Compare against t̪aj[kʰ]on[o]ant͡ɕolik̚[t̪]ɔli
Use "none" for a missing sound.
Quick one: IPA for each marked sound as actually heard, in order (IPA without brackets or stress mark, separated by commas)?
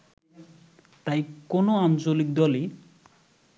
k, o, d̪